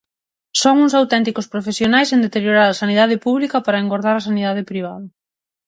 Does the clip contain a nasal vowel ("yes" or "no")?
no